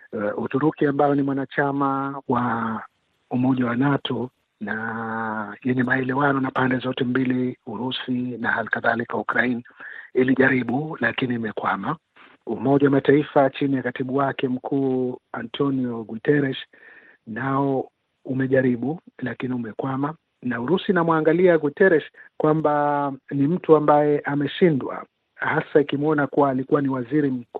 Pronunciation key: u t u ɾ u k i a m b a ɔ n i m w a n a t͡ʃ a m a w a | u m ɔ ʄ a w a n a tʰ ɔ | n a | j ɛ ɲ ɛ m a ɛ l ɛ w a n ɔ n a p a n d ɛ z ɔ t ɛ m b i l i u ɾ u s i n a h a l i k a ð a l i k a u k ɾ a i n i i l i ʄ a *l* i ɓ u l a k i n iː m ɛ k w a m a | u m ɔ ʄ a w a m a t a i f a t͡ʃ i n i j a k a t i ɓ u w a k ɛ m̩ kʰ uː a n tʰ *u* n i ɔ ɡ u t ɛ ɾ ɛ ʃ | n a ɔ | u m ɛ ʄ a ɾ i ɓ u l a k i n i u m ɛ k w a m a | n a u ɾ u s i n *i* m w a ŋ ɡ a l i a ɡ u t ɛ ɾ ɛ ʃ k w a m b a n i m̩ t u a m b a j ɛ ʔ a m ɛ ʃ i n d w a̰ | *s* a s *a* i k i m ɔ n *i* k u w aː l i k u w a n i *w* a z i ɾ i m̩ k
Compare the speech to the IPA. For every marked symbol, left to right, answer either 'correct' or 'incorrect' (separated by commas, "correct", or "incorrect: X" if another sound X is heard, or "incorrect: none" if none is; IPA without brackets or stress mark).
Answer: incorrect: ɾ, incorrect: ɔ, incorrect: a, incorrect: h, correct, incorrect: a, correct